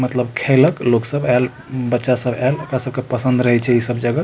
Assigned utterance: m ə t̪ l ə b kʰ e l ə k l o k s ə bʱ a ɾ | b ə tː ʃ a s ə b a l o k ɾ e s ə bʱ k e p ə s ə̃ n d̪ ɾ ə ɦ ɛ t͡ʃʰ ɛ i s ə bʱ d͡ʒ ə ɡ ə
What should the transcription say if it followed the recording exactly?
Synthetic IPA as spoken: m ə t̪ l ə b kʰ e l ə k l o k s ə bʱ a l | b ə tː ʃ a s ə b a l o k ɾ a s ə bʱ k e p ə s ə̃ n d̪ ɾ ə ɦ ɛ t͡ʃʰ ɛ i s ə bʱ d͡ʒ ə ɡ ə